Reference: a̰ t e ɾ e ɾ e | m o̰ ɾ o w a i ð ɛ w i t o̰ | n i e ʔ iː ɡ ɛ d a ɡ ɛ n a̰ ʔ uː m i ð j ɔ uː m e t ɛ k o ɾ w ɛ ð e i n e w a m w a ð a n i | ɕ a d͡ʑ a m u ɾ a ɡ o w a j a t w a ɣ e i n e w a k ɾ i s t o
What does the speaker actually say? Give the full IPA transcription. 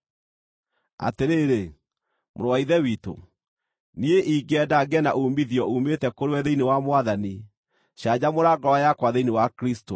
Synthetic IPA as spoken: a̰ t e ɾ e ɾ e | m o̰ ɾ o w a i ð ɛ w i t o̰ | n i e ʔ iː ɡ ɛ d a ɡ ɛ n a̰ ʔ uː m i ð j ɔ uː m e t ɛ k o ɾ w ɛ ð e i n e w a m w a ð a n i | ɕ a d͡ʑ a m o ɾ a ɡ ɔ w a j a k w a ð e i n e w a k ɾ i s t o